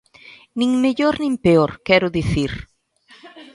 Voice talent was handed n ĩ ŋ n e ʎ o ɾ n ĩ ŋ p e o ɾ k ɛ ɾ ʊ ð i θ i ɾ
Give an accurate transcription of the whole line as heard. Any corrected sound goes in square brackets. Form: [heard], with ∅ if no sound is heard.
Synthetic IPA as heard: n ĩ ŋ [m] e ʎ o ɾ n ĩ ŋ p e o ɾ k ɛ ɾ ʊ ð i θ i ɾ